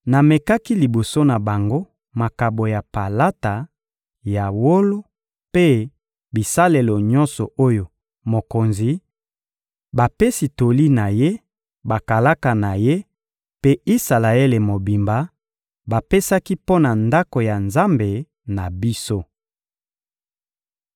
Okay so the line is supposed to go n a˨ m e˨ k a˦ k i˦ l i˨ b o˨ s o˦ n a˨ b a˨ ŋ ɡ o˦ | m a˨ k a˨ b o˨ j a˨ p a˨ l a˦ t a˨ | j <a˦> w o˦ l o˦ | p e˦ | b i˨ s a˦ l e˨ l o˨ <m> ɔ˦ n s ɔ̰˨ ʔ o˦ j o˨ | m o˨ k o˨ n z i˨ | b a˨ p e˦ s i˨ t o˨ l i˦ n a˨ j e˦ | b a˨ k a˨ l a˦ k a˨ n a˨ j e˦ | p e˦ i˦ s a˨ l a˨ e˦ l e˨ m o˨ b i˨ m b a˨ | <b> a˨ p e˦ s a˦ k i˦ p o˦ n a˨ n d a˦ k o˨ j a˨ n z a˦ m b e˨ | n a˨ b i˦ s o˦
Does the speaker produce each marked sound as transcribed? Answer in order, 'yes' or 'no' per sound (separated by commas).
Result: no, no, yes